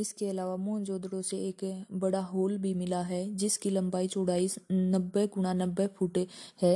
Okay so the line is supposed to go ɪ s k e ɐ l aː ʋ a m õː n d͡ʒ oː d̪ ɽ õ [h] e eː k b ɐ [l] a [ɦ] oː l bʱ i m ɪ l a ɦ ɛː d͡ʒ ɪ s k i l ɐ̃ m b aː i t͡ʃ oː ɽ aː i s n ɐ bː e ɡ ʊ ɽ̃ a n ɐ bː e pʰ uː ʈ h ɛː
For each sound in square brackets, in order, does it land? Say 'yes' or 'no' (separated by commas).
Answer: no, no, yes